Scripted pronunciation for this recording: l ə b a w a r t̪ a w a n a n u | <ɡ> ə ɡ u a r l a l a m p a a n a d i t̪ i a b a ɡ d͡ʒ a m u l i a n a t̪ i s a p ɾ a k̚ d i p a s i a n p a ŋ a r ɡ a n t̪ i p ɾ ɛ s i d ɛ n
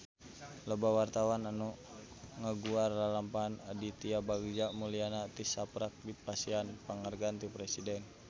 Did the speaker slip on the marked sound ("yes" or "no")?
yes